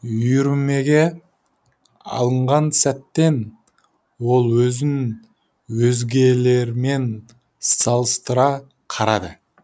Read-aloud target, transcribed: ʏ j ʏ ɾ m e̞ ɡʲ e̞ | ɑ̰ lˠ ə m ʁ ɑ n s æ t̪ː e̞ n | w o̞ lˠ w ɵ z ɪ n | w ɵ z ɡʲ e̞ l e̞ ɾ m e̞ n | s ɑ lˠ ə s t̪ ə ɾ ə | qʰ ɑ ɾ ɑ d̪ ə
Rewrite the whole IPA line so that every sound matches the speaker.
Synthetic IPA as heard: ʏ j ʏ ɾ m e̞ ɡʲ e̞ | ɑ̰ lˠ ə ɴ ʁ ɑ n s æ t̪ː e̞ n | w o̞ lˠ w ɵ z ɪ n | w ɵ z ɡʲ e̞ l e̞ ɾ m e̞ n | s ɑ lˠ ə s t̪ ə ɾ ɑ | qʰ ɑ ɾ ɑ d̪ ə